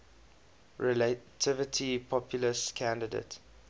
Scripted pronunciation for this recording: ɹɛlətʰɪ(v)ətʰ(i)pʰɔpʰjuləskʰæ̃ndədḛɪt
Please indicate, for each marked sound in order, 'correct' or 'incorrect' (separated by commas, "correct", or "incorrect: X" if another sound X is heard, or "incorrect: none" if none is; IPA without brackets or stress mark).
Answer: correct, correct